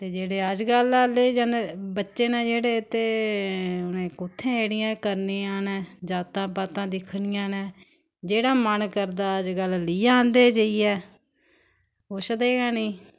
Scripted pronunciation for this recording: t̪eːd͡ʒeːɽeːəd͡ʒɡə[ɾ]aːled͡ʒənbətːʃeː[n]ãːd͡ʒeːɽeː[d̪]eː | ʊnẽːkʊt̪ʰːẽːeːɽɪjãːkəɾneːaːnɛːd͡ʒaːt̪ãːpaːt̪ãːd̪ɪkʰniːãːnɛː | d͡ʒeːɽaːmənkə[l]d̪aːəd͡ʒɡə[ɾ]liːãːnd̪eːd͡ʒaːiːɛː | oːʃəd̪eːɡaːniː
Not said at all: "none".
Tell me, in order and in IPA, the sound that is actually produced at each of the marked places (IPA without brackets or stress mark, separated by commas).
l, n, t̪, ɾ, l